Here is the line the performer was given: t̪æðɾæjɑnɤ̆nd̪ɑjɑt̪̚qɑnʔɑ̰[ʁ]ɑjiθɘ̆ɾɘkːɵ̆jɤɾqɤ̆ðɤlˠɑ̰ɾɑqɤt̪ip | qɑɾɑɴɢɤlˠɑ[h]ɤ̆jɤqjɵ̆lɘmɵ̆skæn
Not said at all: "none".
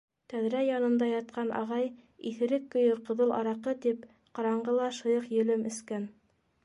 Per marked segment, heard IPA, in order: ʁ, ʃ

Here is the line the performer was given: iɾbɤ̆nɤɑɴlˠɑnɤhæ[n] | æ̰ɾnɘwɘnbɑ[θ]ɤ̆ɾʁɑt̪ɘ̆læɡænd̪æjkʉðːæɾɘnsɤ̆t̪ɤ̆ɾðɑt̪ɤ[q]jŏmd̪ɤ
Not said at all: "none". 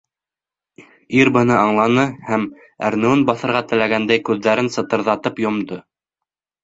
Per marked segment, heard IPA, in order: m, θ, p

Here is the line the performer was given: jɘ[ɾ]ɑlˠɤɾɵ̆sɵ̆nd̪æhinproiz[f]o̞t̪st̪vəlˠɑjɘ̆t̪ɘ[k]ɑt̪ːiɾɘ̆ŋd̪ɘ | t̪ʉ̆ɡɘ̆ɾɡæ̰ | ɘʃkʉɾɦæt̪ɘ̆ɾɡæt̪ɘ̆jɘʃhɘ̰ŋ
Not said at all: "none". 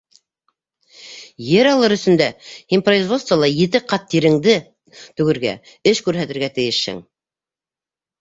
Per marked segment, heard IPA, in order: ɾ, v, q

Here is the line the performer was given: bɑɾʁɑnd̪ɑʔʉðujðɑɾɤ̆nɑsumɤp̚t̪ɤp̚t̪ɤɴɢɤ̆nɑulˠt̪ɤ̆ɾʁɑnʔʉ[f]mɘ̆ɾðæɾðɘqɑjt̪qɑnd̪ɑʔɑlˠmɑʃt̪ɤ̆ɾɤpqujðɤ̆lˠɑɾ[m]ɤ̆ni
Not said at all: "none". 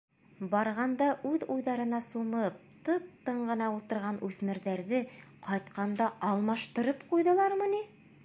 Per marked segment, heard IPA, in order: θ, m

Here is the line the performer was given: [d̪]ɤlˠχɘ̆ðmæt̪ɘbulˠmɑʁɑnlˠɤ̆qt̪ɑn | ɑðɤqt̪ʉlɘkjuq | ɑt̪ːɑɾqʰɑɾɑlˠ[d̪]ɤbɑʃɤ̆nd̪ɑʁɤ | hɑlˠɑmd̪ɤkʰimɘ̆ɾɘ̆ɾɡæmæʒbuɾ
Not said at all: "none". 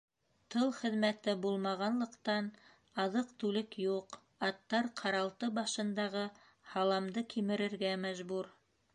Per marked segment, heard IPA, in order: t̪, t̪

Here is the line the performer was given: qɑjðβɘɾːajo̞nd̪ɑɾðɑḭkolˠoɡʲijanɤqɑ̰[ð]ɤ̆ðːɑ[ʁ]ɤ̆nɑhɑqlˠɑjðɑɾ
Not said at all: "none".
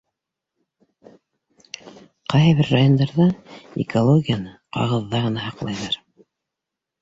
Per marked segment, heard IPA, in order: ʁ, ʁ

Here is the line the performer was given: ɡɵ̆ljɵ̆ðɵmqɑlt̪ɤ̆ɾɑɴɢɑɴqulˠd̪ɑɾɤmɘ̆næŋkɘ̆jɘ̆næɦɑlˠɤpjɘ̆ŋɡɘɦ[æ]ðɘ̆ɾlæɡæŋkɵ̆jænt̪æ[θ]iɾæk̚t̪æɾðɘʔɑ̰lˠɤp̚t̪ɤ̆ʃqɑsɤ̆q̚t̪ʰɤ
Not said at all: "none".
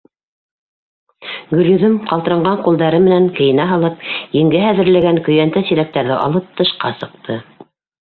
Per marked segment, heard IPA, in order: æ, s

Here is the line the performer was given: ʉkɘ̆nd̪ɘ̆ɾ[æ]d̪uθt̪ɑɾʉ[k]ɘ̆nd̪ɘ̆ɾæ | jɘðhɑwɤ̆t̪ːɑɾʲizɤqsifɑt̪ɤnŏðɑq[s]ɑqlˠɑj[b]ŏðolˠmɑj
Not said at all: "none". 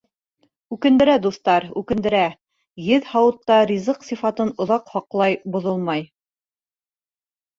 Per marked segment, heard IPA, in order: æ, k, h, b

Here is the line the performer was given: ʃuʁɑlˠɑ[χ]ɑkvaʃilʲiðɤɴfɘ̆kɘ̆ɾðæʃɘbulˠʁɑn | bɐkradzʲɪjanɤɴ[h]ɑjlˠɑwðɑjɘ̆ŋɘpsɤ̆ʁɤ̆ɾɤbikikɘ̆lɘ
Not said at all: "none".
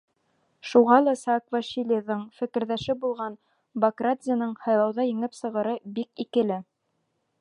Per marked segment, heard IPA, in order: s, h

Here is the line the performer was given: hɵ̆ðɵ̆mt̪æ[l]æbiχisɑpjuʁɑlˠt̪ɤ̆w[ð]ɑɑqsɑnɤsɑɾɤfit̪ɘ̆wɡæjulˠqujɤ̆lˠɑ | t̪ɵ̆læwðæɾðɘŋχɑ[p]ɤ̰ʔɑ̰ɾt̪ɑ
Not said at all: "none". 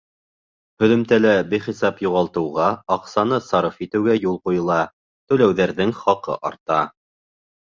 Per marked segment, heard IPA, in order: l, ʁ, q

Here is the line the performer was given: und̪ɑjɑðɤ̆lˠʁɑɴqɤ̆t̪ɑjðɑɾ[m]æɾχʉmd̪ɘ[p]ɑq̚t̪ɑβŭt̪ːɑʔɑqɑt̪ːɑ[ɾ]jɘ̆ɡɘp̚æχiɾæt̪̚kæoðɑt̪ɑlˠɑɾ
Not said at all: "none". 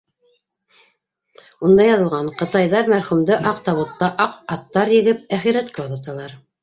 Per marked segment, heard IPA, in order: m, ʔ, ɾ

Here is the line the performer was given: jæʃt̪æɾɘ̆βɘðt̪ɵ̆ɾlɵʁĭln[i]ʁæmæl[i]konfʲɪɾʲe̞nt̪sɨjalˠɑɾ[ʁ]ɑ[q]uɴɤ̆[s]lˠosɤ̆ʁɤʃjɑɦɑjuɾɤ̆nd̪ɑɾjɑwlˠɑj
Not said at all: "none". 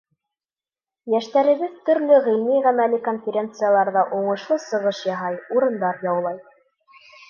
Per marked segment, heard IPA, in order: i, i, ð, ʔ, ʃ

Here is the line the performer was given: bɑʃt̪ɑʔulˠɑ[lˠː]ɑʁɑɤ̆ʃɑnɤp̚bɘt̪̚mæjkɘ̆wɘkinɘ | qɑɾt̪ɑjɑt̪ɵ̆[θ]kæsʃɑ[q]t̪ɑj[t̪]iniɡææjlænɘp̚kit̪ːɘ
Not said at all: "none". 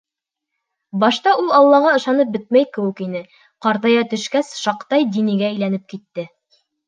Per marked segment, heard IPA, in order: lˠː, ʃ, q, d̪

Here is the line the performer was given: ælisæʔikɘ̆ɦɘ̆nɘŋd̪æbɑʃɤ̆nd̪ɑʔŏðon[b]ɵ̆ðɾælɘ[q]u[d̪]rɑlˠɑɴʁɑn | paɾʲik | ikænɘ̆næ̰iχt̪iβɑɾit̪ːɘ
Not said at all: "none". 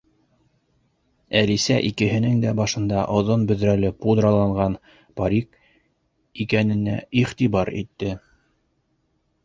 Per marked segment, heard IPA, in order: b, p, d̪

